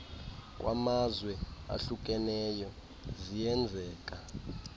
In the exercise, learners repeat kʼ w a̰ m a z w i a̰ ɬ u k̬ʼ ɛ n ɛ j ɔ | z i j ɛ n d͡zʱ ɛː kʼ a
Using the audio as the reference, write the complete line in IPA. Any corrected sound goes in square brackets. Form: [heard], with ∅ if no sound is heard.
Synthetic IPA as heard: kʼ w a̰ m a z w [ɛ] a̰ ɬ u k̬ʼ ɛ n ɛ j ɔ | z i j ɛ n d͡zʱ ɛː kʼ a